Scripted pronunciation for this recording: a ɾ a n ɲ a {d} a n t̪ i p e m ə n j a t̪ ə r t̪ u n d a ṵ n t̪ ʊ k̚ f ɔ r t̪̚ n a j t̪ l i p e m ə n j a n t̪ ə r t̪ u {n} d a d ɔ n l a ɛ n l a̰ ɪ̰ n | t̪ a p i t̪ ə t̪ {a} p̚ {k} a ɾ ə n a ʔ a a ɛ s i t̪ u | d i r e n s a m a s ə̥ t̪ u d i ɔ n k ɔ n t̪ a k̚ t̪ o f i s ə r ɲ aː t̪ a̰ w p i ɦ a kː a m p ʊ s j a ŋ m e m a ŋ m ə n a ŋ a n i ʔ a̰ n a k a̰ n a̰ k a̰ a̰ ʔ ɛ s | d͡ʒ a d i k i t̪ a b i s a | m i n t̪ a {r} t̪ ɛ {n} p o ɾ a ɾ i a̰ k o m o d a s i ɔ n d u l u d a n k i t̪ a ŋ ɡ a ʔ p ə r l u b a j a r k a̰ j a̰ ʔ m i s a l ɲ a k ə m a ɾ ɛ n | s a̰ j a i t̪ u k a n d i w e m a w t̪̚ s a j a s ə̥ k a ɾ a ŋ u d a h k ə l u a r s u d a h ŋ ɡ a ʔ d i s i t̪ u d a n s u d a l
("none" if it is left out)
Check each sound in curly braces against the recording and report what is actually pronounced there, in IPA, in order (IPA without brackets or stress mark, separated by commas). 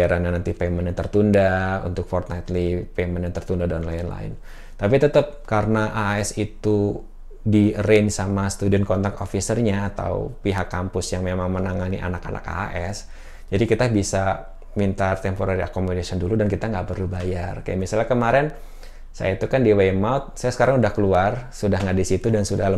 n, n, ə, k, r, m